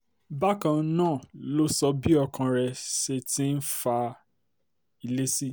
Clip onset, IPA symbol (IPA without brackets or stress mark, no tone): b